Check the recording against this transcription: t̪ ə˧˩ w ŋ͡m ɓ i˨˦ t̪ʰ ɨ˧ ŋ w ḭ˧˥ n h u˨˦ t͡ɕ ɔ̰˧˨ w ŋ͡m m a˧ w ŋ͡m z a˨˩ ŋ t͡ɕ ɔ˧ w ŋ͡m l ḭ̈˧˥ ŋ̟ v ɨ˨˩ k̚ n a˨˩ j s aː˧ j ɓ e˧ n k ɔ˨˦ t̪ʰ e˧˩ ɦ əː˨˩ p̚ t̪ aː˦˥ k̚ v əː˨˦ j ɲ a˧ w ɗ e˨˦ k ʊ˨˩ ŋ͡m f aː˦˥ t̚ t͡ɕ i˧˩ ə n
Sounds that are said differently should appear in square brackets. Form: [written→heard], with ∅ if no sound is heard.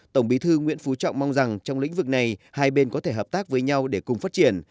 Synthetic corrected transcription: t̪ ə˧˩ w ŋ͡m ɓ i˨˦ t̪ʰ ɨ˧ ŋ w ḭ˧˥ n [h→f] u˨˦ t͡ɕ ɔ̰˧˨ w ŋ͡m m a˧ w ŋ͡m z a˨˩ ŋ t͡ɕ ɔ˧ w ŋ͡m l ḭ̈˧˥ ŋ̟ v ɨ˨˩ k̚ n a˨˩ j [s→h] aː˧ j ɓ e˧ n k ɔ˨˦ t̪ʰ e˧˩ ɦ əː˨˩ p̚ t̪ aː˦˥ k̚ v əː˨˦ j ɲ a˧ w ɗ [e˨˦→e˧˩] k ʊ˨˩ ŋ͡m f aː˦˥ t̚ t͡ɕ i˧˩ ə n